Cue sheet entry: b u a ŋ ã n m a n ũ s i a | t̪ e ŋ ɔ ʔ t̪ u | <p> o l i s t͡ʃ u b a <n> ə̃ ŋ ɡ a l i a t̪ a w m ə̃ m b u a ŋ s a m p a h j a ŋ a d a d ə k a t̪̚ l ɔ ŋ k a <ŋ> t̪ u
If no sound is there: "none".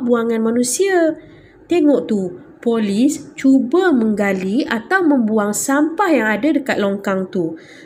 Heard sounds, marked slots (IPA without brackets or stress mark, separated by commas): p, m, ŋ